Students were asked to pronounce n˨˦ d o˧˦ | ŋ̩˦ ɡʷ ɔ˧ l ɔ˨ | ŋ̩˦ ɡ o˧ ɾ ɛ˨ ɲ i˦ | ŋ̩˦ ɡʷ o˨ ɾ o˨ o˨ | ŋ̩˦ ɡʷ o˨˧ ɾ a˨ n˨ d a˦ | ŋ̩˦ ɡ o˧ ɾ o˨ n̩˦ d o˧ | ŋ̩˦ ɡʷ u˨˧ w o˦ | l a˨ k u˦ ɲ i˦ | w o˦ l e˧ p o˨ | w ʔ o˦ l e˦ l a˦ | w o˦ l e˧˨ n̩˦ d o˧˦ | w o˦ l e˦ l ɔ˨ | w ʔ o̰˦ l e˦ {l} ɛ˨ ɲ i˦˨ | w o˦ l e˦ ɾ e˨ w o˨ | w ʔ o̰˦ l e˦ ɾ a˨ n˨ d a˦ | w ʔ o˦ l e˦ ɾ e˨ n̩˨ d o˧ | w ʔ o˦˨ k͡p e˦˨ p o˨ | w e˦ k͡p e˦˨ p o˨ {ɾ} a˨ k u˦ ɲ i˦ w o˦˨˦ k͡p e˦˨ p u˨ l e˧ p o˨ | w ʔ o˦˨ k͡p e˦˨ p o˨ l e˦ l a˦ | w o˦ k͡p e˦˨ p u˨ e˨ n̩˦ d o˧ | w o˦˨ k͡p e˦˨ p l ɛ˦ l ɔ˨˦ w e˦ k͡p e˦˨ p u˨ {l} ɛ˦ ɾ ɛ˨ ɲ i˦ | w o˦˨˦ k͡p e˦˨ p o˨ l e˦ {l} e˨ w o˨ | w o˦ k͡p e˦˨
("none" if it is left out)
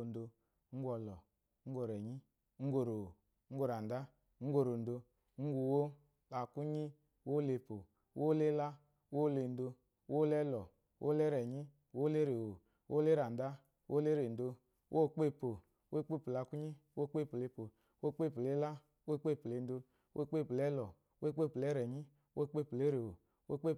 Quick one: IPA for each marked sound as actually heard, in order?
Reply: ɾ, l, l, ɾ

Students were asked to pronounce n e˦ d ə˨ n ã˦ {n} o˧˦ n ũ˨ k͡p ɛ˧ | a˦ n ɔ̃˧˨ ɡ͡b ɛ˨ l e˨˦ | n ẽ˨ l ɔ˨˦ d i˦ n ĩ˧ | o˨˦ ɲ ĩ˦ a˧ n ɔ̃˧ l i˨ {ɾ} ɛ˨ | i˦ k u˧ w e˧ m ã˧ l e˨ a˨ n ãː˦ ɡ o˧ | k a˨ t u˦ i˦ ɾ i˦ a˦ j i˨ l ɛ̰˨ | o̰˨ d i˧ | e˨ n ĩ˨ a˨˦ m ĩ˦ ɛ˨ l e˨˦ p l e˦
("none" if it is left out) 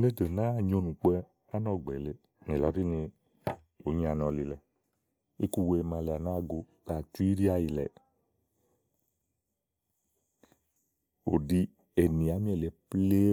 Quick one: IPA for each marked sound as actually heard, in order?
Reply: ɲ, l

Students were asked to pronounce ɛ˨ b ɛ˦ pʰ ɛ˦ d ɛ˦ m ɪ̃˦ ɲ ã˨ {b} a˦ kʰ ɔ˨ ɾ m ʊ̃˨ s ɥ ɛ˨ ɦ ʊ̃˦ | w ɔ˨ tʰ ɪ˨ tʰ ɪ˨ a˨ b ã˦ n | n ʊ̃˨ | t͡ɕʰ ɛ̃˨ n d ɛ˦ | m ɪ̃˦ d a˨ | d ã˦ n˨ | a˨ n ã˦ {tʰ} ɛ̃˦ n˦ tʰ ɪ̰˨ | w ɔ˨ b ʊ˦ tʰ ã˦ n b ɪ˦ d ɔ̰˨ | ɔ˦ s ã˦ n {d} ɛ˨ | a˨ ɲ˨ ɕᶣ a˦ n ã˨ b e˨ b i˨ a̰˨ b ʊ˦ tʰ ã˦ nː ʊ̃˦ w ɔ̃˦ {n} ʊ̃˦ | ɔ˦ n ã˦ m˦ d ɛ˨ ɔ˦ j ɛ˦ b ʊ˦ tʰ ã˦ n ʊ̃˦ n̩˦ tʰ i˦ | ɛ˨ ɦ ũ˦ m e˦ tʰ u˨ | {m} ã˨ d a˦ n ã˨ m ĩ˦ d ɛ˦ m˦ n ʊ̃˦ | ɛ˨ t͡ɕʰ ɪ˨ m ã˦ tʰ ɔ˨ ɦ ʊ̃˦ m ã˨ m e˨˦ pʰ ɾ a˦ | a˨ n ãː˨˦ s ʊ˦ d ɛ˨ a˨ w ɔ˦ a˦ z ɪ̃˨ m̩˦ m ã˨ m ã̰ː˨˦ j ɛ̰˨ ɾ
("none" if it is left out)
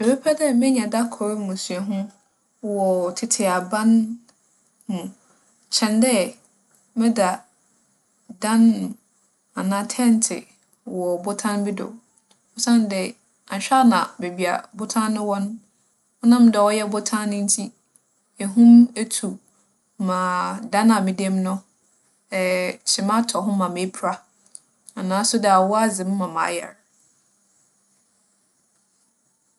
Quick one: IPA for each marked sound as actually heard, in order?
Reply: d, tʰ, d, n, m

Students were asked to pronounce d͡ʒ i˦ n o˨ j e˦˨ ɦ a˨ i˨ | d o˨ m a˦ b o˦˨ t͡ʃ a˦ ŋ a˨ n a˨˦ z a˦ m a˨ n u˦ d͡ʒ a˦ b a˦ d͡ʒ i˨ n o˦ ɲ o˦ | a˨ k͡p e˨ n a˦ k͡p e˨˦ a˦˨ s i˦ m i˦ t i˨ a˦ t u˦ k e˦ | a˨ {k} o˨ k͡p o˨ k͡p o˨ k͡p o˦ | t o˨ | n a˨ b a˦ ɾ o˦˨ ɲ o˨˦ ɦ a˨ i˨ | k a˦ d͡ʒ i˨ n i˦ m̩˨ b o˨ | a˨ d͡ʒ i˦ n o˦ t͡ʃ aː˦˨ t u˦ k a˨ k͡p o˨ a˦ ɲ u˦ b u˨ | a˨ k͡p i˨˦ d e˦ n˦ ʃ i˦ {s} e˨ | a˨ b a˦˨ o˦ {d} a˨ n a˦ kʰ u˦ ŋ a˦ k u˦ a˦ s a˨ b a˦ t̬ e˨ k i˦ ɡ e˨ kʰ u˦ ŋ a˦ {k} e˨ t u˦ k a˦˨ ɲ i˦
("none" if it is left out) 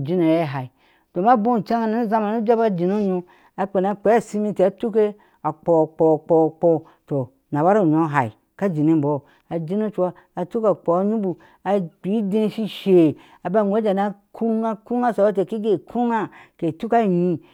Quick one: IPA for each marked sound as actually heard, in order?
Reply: k͡p, ʃ, d͡ʒ, k

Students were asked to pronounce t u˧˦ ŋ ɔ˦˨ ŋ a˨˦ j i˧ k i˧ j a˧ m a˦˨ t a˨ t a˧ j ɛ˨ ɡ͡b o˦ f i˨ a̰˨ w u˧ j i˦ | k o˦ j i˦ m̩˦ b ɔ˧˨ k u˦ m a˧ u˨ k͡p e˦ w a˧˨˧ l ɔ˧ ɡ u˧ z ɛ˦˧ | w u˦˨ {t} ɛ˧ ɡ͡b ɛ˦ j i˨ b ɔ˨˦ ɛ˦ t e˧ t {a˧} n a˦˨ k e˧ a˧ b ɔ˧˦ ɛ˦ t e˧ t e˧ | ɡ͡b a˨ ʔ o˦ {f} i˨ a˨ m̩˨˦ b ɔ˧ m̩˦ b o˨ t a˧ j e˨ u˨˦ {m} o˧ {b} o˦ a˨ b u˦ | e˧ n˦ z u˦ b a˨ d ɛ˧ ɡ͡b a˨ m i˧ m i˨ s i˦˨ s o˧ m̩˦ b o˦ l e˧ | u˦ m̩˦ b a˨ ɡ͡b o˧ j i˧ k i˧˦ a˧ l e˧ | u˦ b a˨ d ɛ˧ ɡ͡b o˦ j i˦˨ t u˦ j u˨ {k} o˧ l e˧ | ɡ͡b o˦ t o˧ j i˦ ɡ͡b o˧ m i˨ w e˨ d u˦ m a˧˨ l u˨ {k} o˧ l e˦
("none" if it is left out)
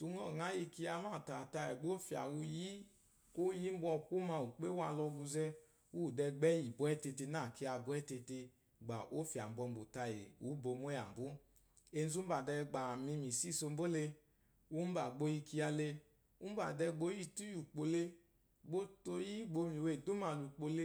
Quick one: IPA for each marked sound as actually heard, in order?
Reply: d, e˧, f, b, m, k͡p, k͡p

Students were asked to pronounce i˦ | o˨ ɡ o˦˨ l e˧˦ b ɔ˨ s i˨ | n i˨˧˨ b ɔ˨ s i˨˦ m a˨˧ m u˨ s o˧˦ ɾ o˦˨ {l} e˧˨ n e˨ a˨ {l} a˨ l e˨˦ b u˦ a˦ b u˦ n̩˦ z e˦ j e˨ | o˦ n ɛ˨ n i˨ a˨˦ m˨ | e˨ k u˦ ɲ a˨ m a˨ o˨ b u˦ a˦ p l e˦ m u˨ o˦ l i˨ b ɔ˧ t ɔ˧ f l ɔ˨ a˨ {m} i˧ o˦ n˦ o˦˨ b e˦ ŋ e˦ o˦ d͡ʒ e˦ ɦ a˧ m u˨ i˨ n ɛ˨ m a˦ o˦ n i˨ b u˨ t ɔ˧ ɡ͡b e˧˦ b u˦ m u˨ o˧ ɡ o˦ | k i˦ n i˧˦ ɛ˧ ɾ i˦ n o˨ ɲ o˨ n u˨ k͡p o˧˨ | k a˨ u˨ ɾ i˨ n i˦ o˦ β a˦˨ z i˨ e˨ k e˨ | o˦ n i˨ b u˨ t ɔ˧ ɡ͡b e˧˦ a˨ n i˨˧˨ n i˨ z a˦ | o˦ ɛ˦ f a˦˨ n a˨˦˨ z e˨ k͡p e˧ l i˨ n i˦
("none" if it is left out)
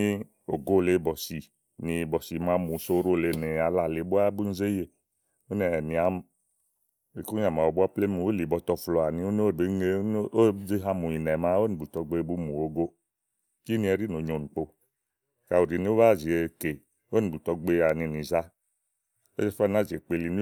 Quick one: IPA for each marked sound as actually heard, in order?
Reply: l, l, n

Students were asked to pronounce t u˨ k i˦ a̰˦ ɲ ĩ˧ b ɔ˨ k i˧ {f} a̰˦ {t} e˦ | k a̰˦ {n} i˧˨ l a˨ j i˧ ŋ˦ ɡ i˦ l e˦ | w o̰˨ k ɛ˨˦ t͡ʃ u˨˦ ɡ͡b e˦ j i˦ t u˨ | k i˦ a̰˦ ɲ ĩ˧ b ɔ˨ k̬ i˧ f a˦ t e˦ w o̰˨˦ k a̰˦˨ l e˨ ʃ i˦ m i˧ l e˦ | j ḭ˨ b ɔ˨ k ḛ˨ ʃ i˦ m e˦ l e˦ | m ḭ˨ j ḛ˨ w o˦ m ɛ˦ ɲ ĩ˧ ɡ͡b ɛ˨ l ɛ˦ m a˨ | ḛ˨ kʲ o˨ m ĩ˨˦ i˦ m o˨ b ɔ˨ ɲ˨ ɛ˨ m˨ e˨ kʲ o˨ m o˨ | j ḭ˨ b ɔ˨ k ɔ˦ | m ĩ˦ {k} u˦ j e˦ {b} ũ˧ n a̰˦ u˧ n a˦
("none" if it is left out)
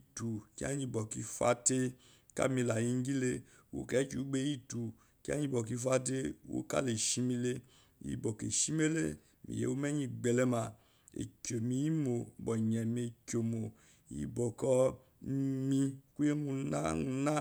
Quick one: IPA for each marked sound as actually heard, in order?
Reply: f, t, m, k, m

